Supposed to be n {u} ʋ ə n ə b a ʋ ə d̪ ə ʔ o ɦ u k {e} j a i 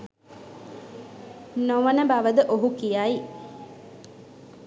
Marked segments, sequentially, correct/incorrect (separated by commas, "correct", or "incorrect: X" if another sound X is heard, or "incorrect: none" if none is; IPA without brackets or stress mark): incorrect: o, incorrect: i